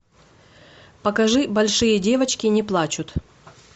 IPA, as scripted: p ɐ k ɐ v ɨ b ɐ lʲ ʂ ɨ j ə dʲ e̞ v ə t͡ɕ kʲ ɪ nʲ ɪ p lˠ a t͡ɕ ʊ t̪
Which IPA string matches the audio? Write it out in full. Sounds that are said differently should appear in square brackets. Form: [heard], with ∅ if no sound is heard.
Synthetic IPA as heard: p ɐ k ɐ [ʐ] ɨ b ɐ lʲ ʂ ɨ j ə dʲ e̞ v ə t͡ɕ kʲ ɪ nʲ ɪ p lˠ a t͡ɕ ʊ t̪